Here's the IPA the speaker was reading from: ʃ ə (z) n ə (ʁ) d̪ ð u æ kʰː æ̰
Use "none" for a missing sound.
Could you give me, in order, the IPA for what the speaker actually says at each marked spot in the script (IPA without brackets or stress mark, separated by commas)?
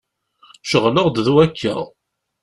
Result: ʁ, ʁ